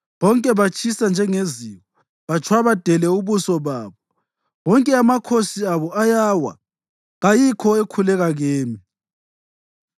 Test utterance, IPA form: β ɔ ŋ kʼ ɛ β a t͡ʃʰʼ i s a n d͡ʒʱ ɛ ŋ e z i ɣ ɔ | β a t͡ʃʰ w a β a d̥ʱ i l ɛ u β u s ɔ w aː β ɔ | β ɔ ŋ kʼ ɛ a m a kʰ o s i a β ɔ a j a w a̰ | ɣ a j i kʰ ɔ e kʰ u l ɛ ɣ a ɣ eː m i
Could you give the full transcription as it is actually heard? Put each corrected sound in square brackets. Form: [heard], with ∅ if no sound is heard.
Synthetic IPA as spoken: β ɔ ŋ kʼ ɛ β a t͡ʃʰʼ i s a n d͡ʒʱ ɛ ŋ e z i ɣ ɔ | β a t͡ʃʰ w a β a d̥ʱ [ɛ] l ɛ u β u s ɔ [β] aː β ɔ | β ɔ ŋ kʼ ɛ a m a kʰ o s i a β ɔ a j a w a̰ | ɣ a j i kʰ ɔ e kʰ u l ɛ ɣ a ɣ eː m i

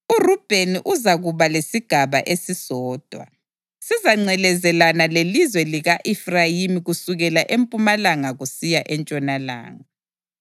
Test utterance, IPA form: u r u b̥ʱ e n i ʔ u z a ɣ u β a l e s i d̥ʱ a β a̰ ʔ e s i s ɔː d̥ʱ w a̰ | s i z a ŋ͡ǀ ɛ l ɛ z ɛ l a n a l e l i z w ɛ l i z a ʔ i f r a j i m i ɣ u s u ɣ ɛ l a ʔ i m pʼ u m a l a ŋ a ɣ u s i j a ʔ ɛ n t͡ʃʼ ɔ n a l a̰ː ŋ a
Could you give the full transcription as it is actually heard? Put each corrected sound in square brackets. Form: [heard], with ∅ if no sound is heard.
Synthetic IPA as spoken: u r u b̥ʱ e n i ʔ u z a ɣ u β a l e s i [ɡ̥ʱ] a β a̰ ʔ e s i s ɔː d̥ʱ w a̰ | s i z a ŋ͡ǀ ɛ l ɛ z ɛ l a n a l e l i z w ɛ l i [ɣ] a ʔ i f r a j i m i ɣ u s u ɣ ɛ l a ʔ [e] m pʼ u m a l a ŋ a ɣ u s i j a ʔ ɛ n t͡ʃʼ ɔ n a l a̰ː ŋ a

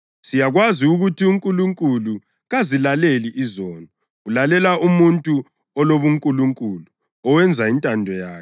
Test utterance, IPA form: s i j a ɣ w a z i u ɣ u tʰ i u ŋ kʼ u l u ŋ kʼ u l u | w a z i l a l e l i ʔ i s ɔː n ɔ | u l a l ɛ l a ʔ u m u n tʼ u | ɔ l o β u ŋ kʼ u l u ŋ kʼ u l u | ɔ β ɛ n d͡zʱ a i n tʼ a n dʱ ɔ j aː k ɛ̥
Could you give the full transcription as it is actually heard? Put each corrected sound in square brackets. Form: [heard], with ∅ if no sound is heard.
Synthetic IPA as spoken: s i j a ɣ w a z i u ɣ u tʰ i u ŋ kʼ u l u ŋ kʼ u l u | [ɣ] a z i l a l e l i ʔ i [z] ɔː n ɔ | u l a l ɛ l a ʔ u m u n tʼ u | ɔ l o β u ŋ kʼ u l u ŋ kʼ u l u | ɔ [w] ɛ n d͡zʱ a i n tʼ a n dʱ ɔ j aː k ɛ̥

